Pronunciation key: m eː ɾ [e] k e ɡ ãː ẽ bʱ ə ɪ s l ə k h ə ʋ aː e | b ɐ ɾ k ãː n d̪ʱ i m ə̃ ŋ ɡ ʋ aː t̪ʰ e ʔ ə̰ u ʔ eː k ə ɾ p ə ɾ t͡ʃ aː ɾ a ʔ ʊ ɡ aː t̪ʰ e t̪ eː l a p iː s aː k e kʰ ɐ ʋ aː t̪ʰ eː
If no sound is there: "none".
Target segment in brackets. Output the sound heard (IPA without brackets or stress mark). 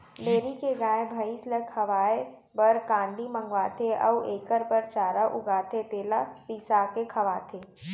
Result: i